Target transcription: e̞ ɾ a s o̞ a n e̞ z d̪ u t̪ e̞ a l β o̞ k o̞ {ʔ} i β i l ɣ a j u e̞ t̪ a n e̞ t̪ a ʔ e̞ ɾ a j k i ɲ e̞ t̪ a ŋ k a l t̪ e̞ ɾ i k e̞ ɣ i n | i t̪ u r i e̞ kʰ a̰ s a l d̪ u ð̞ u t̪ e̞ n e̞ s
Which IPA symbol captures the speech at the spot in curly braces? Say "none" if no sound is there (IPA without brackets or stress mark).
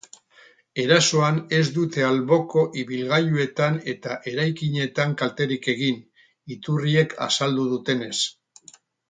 ʔ